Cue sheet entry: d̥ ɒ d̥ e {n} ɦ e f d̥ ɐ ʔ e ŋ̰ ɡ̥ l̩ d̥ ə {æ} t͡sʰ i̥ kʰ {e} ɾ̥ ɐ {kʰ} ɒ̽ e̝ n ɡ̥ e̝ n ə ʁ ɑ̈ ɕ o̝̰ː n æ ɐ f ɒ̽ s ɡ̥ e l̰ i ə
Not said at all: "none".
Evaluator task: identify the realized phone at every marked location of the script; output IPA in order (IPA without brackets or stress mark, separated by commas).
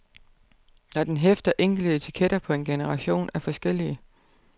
n, e, e, pʰ